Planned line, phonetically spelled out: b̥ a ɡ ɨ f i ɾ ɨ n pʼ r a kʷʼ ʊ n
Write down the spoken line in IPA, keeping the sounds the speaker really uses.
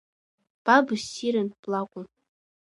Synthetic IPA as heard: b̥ a b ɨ s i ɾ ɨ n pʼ l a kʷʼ ʊ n

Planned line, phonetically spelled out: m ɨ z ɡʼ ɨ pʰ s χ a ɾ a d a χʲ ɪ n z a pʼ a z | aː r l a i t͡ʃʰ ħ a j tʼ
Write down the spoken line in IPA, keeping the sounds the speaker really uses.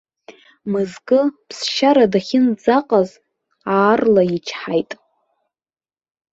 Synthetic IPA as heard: m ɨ z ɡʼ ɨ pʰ s ʃ a ɾ a d a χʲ ɪ n d͡z a qʼ a z | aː r l a i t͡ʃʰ ħ a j tʼ

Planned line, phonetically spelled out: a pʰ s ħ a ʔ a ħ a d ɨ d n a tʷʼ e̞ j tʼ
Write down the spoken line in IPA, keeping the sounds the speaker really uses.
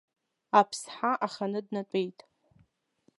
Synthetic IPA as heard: a pʰ s ħ a ʔ a χ a n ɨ d n a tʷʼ e̞ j tʼ

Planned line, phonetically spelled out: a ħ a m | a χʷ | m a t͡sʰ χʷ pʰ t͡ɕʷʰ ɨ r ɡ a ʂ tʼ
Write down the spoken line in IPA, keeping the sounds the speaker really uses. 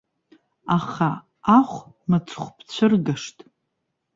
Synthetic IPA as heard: a χ a | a χʷ | m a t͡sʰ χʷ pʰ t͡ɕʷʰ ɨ r ɡ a ʂ tʼ

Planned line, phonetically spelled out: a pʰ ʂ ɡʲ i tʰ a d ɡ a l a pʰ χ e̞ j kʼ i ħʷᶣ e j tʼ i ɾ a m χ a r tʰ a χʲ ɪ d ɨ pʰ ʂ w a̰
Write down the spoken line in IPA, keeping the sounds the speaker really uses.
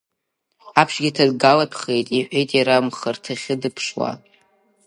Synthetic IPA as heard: a pʰ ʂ ɡʲ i tʰ a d ɡ a l a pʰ χ e̞ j tʼ i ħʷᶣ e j tʼ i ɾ a m χ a r tʰ a χʲ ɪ d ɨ pʰ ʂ w a̰

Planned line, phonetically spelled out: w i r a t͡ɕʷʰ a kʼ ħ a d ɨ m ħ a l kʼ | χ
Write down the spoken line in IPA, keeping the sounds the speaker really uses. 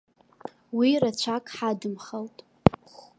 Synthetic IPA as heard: w i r a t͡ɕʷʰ a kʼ ħ a d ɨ m χ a l tʼ | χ

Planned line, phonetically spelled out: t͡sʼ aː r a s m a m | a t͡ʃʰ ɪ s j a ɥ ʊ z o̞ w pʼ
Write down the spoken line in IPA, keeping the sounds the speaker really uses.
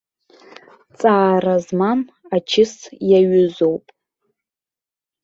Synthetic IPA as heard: t͡sʼ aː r a z m a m | a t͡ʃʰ ɪ s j a ɥ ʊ z o̞ w pʼ

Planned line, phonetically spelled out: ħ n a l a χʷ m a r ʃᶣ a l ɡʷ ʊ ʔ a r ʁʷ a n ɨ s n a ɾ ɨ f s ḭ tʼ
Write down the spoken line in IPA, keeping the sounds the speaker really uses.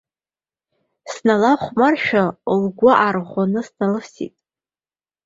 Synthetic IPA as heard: s n a l a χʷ m a r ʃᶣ a l ɡʷ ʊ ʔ a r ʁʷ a n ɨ s n a l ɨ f s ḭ tʼ

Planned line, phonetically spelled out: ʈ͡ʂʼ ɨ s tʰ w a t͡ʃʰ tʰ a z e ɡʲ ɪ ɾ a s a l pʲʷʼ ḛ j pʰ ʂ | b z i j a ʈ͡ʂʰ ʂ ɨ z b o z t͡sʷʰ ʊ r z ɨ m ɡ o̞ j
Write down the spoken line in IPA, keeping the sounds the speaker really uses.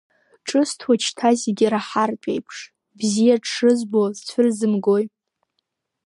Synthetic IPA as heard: ʈ͡ʂʼ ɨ s tʰ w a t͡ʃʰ tʰ a z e ɡʲ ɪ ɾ a ħ a r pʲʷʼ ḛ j pʰ ʂ | b z i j a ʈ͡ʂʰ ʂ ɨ z b o z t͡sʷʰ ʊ r z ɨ m ɡ o̞ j

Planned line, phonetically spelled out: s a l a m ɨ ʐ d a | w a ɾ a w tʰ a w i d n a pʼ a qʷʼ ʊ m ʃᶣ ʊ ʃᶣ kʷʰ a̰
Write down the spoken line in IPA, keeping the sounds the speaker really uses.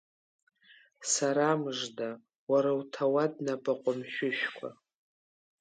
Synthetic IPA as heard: s a ɾ a m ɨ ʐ d a | w a ɾ a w tʰ a w a d n a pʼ a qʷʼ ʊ m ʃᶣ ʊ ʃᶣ kʷʰ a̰

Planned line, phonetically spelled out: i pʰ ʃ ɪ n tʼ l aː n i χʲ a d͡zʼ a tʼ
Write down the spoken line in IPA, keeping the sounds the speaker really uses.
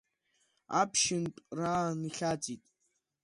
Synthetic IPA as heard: a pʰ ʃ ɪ n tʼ r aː n i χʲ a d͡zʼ i tʼ

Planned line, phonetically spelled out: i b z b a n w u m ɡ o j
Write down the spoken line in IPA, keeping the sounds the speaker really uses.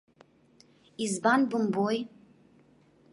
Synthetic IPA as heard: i z b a n b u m b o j

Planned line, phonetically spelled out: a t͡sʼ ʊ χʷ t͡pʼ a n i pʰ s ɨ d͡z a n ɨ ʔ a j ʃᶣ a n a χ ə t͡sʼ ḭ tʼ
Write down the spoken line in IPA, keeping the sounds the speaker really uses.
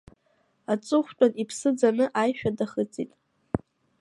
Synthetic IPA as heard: a t͡sʼ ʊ χʷ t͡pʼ a n i pʰ s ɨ d͡z a n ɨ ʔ a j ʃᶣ a d a χ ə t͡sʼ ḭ tʼ

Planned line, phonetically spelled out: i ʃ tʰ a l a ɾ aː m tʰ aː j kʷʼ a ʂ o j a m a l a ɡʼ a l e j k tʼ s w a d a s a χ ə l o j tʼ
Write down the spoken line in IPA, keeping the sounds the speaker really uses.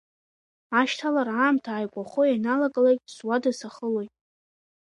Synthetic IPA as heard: a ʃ tʰ a l a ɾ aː m tʰ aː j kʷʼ a χ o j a n a l a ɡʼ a l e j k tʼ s w a d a s a χ ə l o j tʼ

